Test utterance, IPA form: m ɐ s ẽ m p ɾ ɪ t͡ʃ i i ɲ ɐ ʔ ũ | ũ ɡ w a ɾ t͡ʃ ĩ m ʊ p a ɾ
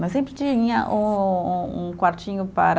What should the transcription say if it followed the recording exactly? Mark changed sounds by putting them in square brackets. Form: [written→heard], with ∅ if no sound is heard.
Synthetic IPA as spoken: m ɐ s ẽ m p ɾ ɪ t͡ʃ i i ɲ ɐ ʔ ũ | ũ [ɡ→k] w a ɾ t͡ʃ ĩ [m→ɲ] ʊ p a ɾ